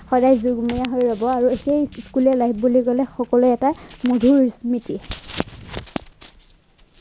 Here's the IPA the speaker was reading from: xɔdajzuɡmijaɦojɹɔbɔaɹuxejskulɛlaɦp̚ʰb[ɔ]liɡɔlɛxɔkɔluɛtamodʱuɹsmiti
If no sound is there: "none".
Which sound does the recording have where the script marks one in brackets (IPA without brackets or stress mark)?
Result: u